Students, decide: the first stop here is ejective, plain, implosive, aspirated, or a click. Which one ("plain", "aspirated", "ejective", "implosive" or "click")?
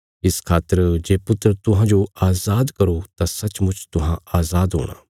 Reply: aspirated